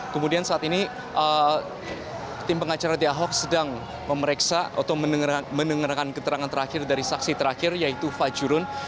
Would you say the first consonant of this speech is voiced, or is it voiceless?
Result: voiceless